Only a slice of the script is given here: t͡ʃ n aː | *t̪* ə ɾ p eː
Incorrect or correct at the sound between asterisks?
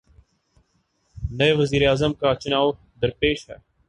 incorrect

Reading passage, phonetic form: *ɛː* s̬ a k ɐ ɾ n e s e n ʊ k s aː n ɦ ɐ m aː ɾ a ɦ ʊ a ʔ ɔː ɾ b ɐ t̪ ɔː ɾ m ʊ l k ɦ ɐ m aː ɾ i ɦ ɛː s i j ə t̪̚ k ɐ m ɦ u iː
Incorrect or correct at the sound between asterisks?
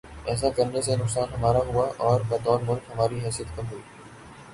correct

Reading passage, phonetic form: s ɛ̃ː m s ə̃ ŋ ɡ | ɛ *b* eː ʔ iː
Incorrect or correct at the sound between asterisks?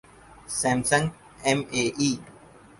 incorrect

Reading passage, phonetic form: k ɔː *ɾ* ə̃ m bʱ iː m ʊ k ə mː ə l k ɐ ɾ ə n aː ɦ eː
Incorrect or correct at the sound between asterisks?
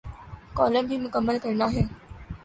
incorrect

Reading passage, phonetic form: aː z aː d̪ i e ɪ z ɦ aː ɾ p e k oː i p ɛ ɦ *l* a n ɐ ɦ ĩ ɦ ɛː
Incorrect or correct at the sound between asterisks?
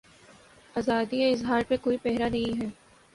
incorrect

